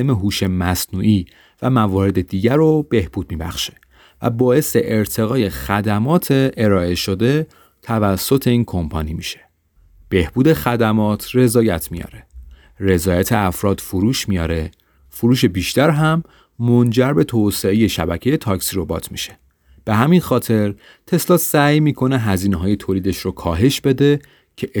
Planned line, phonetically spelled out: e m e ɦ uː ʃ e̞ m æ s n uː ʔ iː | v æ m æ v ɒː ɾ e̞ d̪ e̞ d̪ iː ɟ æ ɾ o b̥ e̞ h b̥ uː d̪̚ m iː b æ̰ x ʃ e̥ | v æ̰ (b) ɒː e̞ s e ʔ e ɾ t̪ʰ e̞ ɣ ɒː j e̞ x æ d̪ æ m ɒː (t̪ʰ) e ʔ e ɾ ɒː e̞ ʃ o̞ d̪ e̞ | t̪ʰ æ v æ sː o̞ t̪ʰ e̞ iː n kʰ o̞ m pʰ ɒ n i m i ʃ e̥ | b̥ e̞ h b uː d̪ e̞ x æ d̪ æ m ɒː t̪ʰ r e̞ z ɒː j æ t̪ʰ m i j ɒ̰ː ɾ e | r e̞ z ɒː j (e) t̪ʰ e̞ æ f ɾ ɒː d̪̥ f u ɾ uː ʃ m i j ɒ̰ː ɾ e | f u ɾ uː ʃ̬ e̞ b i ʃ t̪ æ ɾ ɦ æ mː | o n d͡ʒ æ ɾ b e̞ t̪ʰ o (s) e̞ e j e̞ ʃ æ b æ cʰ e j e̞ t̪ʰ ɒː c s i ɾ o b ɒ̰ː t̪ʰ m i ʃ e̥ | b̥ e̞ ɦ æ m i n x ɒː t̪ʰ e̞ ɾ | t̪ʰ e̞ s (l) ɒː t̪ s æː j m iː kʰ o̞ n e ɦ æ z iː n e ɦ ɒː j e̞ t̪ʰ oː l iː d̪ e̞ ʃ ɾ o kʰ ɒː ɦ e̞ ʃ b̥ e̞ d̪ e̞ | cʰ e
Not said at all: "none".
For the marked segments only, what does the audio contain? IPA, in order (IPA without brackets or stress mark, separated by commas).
b, t̪ʰ, æ, s, l